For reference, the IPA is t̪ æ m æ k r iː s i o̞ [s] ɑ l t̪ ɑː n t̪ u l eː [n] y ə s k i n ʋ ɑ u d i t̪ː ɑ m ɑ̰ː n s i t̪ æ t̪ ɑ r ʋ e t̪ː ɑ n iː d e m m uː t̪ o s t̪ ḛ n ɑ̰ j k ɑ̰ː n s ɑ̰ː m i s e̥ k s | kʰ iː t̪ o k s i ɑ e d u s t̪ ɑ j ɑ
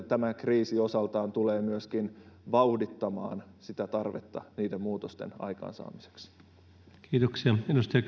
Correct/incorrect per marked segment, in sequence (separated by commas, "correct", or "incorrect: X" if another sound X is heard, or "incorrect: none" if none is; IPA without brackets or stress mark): correct, incorrect: m